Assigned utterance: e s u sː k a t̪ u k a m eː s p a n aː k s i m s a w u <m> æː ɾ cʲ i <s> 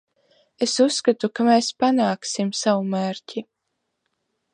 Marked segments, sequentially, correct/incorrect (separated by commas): correct, incorrect